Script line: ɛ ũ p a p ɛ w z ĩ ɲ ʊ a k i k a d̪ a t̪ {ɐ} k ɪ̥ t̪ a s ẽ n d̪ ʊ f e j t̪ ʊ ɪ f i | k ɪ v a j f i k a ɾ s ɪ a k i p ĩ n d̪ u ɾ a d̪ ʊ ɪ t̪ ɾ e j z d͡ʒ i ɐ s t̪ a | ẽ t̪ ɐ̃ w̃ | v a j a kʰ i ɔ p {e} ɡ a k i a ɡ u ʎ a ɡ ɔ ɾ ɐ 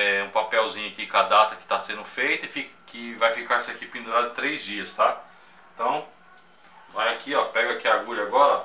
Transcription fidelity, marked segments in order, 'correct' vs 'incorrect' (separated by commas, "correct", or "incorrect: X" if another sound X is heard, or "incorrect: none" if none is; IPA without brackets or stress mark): correct, incorrect: ɛ